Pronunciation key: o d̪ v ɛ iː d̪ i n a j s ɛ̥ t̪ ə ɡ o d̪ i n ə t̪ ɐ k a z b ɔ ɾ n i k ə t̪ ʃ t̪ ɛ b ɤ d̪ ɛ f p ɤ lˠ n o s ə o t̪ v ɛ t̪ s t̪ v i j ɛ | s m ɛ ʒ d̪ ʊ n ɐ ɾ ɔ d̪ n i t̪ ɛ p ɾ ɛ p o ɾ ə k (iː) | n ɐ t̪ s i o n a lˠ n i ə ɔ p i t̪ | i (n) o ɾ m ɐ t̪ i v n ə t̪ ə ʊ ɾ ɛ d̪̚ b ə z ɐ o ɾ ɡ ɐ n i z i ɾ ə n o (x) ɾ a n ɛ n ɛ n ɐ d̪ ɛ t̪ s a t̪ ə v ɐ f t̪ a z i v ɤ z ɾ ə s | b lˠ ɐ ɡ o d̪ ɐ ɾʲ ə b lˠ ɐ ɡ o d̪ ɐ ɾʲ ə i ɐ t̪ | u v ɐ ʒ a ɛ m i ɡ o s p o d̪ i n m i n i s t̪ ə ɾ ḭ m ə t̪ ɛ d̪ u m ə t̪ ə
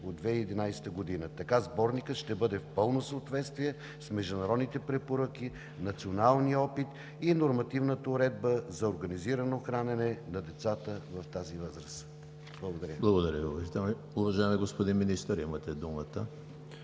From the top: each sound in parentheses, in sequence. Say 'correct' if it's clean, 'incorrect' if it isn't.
incorrect: i, correct, correct

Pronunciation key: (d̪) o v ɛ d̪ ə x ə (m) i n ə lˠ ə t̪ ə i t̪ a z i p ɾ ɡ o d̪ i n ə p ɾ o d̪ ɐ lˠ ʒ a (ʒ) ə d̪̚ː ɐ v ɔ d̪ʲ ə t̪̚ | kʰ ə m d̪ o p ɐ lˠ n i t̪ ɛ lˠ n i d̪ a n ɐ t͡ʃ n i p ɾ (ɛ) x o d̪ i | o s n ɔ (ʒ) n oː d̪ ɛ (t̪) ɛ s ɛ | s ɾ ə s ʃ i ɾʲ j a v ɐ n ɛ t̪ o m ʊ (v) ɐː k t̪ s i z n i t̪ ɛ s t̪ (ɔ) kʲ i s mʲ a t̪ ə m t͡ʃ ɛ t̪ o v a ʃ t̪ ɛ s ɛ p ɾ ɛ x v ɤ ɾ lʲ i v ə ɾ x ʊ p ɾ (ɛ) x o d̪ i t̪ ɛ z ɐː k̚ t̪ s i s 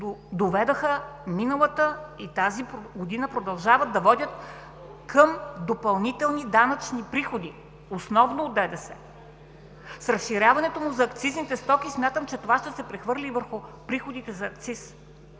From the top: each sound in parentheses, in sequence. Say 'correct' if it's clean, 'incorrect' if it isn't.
correct, correct, incorrect: v, incorrect: i, incorrect: v, incorrect: d̪, incorrect: z, correct, incorrect: i

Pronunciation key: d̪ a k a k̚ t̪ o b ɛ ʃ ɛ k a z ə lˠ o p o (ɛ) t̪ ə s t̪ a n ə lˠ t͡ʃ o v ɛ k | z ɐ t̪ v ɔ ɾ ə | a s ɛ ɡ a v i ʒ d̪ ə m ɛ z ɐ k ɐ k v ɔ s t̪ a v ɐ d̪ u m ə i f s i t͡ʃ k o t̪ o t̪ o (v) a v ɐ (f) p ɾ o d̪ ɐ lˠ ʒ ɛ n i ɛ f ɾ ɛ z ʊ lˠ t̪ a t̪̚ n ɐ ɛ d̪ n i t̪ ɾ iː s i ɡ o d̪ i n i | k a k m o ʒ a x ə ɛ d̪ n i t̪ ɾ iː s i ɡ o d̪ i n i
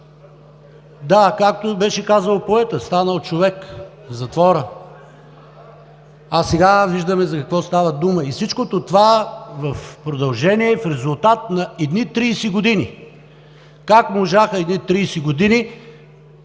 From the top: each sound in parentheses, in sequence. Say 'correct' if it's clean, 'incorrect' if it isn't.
correct, correct, correct

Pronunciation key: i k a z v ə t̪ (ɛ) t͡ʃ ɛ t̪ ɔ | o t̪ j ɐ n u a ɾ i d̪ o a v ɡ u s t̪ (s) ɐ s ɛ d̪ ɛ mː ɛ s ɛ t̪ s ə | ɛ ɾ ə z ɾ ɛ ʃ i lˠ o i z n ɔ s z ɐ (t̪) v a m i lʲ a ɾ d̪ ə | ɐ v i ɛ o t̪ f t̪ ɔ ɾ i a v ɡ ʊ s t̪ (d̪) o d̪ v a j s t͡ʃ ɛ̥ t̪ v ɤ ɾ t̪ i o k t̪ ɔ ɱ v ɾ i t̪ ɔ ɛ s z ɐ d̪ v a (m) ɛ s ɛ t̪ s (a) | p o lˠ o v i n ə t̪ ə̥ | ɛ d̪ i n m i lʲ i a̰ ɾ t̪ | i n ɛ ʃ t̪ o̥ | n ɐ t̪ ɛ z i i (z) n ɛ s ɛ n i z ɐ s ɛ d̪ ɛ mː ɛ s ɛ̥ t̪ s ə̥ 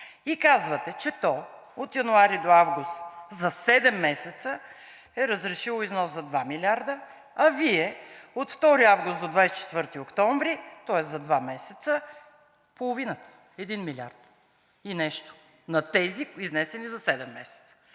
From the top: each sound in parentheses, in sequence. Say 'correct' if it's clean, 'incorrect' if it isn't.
correct, incorrect: z, incorrect: d̪, correct, correct, incorrect: ə, correct

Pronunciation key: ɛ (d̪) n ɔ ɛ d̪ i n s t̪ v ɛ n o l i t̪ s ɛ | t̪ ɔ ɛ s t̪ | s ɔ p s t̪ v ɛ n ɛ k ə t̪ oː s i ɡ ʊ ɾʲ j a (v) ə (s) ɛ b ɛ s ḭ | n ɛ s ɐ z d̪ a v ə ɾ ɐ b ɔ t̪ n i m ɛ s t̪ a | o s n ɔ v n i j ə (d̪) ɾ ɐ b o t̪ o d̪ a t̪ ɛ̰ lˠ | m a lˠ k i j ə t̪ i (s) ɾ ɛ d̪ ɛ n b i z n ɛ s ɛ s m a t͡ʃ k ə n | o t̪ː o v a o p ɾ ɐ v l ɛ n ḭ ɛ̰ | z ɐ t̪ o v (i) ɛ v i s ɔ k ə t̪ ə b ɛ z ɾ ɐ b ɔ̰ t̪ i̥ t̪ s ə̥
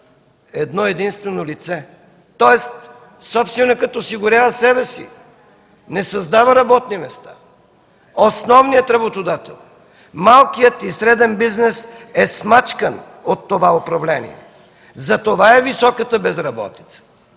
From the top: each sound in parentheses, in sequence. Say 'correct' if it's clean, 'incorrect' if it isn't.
correct, correct, correct, incorrect: t̪, correct, incorrect: a

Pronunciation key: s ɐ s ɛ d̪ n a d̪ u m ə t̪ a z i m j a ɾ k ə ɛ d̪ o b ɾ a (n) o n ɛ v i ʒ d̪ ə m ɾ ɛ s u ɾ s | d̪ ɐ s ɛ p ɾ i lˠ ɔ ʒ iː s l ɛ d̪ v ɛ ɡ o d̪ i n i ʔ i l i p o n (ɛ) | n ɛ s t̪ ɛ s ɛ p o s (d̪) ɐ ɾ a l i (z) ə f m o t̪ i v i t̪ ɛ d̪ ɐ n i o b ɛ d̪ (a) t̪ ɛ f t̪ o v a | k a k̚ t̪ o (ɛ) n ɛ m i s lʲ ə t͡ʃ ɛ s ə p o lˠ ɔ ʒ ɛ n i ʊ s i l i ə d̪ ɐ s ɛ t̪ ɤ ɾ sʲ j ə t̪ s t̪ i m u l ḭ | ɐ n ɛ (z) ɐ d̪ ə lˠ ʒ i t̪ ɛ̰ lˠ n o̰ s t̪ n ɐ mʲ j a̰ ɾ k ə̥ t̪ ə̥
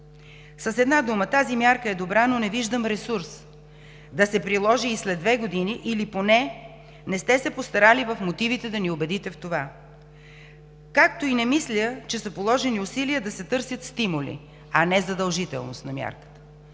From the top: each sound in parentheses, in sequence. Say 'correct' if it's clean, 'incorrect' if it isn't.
correct, correct, incorrect: t̪, incorrect: v, incorrect: i, incorrect: i, correct

